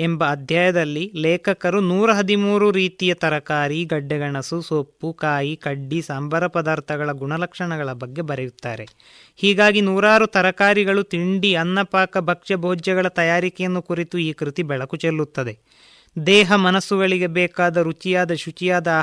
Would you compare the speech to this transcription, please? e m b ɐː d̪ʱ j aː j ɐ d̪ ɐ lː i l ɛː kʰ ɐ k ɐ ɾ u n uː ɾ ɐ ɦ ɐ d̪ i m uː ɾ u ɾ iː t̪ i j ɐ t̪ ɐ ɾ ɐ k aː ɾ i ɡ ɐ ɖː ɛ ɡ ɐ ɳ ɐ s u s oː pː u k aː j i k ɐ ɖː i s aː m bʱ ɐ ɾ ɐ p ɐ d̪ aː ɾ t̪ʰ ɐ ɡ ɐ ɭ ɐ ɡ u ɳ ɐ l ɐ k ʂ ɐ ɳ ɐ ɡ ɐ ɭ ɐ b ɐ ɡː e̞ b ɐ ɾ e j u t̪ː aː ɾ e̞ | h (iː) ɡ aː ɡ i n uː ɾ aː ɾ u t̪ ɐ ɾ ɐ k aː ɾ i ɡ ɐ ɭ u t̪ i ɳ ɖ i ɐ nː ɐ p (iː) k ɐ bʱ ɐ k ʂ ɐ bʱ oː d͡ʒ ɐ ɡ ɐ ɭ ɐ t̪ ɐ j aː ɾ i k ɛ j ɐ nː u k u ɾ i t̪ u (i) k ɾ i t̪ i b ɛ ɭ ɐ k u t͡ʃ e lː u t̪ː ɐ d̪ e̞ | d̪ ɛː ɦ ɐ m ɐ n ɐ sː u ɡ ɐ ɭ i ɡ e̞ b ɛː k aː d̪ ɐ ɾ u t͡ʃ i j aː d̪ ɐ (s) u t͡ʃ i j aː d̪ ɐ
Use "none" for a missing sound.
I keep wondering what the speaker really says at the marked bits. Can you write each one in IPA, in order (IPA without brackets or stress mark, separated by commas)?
iː, aː, iː, ʃ